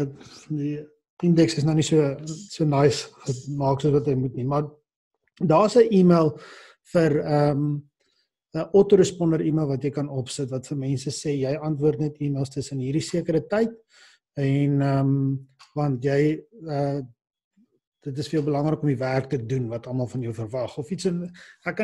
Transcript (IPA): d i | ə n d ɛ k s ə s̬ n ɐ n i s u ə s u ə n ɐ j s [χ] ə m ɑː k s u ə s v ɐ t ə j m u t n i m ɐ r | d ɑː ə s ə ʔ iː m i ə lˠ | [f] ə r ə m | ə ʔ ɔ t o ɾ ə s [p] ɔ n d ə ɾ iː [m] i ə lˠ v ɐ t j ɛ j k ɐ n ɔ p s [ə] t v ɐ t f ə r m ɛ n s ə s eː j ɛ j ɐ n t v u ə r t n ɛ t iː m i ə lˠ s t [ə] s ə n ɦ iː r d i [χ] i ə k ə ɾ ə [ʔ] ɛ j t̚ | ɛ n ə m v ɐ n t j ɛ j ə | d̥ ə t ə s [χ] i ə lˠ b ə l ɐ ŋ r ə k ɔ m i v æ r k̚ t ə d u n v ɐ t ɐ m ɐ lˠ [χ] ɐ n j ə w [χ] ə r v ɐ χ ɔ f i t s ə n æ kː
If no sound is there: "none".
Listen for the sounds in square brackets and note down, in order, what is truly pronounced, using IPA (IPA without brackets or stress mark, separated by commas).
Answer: χ, f, p, m, ə, ə, s, t, f, f, f